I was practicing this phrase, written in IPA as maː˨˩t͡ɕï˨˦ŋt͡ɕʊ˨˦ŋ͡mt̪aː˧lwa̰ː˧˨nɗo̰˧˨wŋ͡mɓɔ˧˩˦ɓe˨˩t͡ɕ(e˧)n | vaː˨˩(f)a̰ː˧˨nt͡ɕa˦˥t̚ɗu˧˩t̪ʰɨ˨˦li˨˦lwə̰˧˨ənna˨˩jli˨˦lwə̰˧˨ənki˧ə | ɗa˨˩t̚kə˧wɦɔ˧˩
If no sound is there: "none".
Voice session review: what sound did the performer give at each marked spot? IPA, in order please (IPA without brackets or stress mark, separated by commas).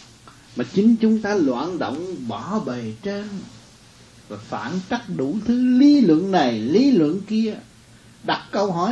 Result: e˧, f